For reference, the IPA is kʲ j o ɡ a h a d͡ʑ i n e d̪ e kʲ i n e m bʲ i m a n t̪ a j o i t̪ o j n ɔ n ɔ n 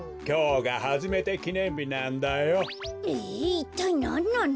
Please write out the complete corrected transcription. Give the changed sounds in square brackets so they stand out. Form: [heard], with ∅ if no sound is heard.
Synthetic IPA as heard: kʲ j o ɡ a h a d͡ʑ i [m] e [t̪] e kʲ i n e m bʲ i [n] a n [d̪] a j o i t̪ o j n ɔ n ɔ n